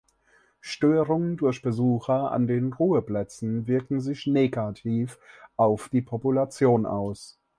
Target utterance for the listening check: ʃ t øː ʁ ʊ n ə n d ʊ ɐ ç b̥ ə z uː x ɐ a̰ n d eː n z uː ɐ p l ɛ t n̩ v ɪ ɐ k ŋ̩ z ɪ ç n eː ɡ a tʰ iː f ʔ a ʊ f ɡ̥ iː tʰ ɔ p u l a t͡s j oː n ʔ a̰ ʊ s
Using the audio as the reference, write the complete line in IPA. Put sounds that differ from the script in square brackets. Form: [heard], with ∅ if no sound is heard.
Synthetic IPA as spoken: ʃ t øː ʁ ʊ [ŋ] ə n d ʊ ɐ ç b̥ ə z uː x ɐ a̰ n d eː n [ʁ] uː [ə] p l ɛ [t͡s] n̩ v ɪ ɐ k ŋ̩ z ɪ ç n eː ɡ a tʰ iː f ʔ a ʊ f [d̥] iː [pʰ] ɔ p u l a t͡s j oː n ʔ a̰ ʊ s